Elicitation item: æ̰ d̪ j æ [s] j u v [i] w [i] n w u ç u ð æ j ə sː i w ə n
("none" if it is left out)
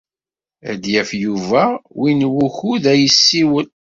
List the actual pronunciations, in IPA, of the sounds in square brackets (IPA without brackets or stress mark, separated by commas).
f, æ, i